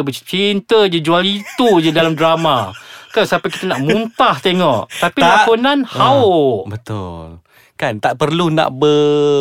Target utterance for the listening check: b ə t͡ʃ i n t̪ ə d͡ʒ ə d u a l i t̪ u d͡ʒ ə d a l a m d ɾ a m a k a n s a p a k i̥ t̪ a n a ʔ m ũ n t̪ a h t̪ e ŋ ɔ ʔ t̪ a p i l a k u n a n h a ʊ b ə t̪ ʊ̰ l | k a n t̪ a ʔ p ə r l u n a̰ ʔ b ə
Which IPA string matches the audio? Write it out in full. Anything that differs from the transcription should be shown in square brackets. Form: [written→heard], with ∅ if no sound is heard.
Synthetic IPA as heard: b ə t͡ʃ i n t̪ ə d͡ʒ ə [d→d͡ʒ] u a l i t̪ u d͡ʒ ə d a l a m d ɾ a m a k a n s a p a k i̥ t̪ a n a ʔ m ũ n t̪ a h t̪ e ŋ ɔ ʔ t̪ a p i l a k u n a n h a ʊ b ə t̪ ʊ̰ l | k a n t̪ a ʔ p ə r l u n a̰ ʔ b ə